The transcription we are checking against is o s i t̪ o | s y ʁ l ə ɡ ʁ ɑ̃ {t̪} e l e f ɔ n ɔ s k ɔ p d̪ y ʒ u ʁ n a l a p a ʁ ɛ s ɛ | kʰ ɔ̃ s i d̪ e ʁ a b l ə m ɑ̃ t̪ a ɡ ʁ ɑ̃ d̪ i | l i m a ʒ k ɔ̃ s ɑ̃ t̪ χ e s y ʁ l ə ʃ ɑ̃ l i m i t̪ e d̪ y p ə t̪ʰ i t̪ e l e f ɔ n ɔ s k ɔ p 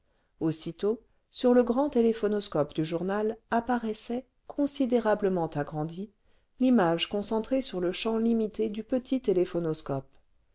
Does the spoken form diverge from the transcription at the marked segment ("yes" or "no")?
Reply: no